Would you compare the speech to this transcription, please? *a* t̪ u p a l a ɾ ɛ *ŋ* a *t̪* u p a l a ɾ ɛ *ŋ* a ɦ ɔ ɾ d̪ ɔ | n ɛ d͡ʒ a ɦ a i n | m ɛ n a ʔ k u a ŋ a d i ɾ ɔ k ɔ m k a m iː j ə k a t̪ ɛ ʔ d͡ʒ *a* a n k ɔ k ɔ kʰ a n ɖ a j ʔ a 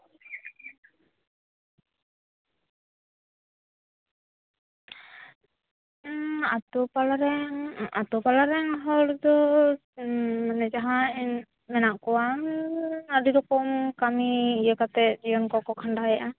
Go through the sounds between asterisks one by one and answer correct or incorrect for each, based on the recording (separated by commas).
correct, correct, correct, correct, incorrect